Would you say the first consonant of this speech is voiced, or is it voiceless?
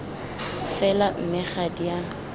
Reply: voiceless